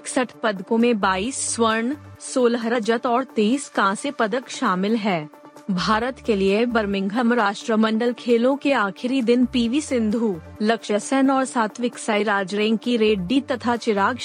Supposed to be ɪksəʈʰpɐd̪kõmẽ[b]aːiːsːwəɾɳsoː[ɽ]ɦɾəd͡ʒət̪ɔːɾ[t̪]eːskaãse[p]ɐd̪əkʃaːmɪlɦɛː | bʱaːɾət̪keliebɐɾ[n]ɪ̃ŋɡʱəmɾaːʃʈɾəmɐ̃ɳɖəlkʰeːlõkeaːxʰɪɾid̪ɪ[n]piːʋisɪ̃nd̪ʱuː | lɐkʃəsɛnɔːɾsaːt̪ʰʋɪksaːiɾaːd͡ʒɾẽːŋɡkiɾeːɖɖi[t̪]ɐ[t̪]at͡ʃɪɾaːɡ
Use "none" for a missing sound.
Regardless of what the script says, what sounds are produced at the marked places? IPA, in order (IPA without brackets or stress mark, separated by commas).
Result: b, l, t̪, p, m, n, t̪, t̪ʰ